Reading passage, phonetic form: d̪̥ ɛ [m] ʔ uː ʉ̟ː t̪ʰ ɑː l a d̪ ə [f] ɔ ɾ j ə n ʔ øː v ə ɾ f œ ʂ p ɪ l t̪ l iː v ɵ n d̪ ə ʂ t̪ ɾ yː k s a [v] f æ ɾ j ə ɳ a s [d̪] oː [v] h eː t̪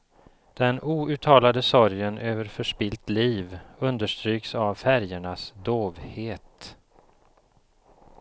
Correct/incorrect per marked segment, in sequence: incorrect: n, incorrect: s, correct, correct, correct

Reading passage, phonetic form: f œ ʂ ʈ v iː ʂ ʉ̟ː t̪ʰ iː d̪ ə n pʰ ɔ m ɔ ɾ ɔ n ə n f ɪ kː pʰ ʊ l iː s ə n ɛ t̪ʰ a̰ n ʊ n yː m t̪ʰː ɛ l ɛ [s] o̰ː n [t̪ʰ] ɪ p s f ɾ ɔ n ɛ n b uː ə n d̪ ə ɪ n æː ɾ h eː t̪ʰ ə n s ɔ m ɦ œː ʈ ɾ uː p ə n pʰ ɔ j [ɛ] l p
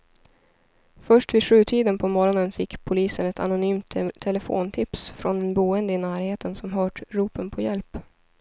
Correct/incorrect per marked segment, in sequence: incorrect: f, correct, correct

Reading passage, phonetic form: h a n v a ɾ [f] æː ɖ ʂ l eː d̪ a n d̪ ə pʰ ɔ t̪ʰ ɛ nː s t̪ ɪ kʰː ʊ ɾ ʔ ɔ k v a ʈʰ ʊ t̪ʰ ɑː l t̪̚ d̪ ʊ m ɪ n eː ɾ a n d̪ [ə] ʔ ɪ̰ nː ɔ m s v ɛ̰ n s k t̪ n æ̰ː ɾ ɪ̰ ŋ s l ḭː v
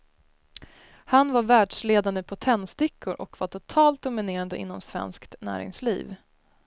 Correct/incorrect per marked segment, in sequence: incorrect: v, correct

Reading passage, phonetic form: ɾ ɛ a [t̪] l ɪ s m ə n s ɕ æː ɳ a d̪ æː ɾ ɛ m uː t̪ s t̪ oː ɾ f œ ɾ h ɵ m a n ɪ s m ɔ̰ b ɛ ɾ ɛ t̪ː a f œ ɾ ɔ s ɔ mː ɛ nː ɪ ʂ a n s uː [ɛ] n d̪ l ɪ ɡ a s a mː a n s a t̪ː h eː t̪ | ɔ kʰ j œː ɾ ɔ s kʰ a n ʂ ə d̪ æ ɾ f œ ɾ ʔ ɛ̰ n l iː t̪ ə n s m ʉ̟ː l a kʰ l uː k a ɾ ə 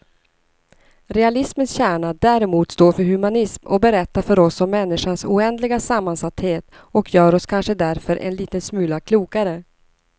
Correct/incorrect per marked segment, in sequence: incorrect: none, correct

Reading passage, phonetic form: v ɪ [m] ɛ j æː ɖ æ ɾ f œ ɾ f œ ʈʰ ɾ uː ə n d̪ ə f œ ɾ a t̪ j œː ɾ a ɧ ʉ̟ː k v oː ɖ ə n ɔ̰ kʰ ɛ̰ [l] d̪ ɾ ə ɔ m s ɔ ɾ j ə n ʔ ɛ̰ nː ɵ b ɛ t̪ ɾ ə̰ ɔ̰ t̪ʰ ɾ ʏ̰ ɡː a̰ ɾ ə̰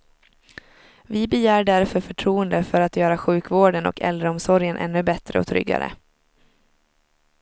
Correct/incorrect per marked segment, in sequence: incorrect: b, correct

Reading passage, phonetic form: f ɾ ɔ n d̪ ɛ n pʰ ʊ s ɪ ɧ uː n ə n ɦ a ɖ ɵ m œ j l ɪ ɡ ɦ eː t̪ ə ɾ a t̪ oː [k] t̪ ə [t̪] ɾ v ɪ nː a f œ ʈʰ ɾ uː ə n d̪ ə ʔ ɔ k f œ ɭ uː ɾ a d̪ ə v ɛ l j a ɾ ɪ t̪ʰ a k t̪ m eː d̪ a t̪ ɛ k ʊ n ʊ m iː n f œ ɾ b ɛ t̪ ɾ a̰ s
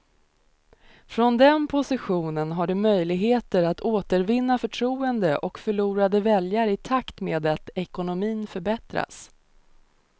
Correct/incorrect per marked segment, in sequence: incorrect: none, incorrect: none

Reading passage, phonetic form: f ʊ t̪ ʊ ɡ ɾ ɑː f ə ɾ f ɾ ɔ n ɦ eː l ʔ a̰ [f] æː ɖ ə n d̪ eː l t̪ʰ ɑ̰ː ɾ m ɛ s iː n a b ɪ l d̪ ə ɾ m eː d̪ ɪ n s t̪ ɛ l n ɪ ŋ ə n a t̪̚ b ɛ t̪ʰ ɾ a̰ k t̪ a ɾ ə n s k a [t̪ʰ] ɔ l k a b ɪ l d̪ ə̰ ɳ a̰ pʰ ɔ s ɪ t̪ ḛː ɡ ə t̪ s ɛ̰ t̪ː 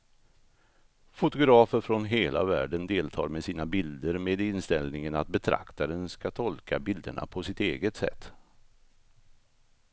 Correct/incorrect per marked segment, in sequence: incorrect: v, correct

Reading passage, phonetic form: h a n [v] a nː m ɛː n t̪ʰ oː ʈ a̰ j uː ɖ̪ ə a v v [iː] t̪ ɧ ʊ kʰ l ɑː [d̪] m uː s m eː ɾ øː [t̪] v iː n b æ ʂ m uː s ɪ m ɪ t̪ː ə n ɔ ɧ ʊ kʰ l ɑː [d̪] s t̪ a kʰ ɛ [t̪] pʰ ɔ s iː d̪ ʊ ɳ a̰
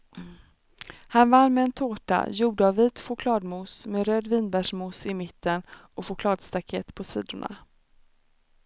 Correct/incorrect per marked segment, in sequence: correct, correct, correct, incorrect: d̪, correct, correct

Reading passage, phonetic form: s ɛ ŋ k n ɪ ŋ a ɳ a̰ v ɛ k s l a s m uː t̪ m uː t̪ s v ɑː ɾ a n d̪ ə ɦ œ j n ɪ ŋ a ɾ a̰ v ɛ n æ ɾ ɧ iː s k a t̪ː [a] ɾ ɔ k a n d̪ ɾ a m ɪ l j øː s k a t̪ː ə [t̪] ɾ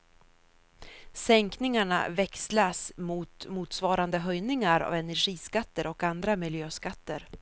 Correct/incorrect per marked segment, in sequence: incorrect: ə, incorrect: none

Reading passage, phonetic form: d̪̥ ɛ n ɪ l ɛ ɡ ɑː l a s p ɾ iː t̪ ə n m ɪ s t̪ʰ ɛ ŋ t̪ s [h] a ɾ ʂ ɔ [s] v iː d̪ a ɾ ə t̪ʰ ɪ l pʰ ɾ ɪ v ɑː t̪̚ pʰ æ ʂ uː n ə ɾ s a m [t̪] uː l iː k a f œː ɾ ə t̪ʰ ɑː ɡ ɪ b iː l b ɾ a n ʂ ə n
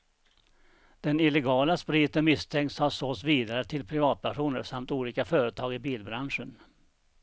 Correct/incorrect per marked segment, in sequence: correct, correct, correct

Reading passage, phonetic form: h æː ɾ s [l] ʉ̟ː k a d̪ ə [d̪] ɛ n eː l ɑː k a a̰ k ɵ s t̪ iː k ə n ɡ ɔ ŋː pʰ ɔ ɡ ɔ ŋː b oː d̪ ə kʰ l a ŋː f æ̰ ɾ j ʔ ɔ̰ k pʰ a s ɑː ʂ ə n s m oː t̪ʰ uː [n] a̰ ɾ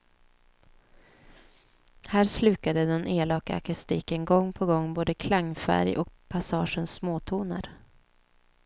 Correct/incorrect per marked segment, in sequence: correct, correct, correct

